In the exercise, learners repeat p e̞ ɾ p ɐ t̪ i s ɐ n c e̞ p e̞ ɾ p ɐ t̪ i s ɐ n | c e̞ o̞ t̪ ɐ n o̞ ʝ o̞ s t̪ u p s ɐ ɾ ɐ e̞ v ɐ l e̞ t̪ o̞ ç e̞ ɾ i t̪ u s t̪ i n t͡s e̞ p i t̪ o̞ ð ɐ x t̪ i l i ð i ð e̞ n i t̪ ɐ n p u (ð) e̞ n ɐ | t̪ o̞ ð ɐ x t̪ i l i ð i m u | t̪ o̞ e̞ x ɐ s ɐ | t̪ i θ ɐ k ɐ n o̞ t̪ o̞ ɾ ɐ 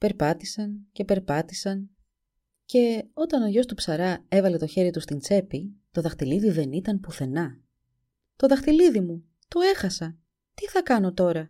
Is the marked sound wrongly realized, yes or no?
yes